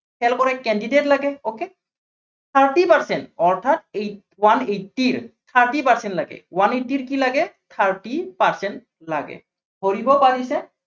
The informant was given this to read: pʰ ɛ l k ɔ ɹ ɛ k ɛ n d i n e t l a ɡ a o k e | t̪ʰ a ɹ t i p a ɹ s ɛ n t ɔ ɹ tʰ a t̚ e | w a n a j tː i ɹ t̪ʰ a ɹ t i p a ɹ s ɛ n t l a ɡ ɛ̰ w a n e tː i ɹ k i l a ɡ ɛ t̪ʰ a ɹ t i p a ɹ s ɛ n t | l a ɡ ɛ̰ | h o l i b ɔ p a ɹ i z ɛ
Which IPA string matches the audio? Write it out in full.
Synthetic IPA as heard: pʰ ɛ l k ɔ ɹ ɛ k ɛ n d i d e t l a ɡ ɛ o k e | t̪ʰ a ɹ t i p a ɹ s ɛ n t ɔ ɹ tʰ a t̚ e | w a n e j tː i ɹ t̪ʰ a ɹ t i p a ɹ s ɛ n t l a ɡ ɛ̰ w a n e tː i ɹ k i l a ɡ ɛ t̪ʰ a ɹ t i p a ɹ s ɛ n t | l a ɡ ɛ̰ | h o ɹ i b ɔ p a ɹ i s ɛ